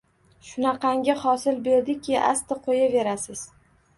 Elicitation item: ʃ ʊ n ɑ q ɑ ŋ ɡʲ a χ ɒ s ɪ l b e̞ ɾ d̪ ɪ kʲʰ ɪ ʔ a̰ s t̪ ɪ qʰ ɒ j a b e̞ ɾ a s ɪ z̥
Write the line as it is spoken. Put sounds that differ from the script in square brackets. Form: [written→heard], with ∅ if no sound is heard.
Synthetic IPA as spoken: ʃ ʊ n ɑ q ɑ ŋ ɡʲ a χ ɒ s ɪ l b e̞ ɾ d̪ ɪ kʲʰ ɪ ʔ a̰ s t̪ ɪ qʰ [ɒ→o] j a [b→v] e̞ ɾ a s ɪ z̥